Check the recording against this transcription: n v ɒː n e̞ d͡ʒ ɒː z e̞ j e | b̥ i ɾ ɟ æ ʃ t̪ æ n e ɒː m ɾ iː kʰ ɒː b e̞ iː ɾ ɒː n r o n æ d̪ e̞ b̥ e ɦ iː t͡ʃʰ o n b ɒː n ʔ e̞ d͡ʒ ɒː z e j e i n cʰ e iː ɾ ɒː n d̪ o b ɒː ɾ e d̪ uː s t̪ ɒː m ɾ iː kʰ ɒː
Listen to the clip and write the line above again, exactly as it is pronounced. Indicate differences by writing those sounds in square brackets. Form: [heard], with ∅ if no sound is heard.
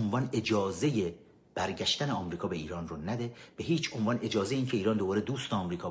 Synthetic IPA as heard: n v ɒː n e̞ d͡ʒ ɒː z e̞ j e | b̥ [æ] ɾ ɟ æ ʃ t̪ æ n e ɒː m ɾ iː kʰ ɒː b e̞ iː ɾ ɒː n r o n æ d̪ e̞ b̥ e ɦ iː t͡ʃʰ o n [v] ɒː n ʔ e̞ d͡ʒ ɒː z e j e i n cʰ e iː ɾ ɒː n d̪ o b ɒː ɾ e d̪ uː s t̪ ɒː m ɾ iː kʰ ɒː